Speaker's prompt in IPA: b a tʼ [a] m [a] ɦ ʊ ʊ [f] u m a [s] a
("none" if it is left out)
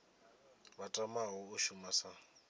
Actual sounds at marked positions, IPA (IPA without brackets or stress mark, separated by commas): a, a, ʃ, s